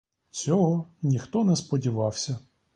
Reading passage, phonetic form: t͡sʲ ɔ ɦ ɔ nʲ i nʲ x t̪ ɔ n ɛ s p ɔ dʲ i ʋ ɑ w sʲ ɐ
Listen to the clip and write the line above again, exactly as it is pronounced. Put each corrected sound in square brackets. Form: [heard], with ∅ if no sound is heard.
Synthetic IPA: t͡sʲ ɔ ɦ ɔ nʲ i [∅] x t̪ ɔ n ɛ s p ɔ dʲ i ʋ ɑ w sʲ ɐ